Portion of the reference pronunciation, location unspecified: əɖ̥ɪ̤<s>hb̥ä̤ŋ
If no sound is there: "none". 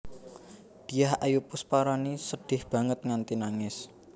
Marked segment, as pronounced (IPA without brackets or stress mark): none